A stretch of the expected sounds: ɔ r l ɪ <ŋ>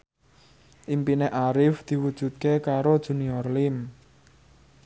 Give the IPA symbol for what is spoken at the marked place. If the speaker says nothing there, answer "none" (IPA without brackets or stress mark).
m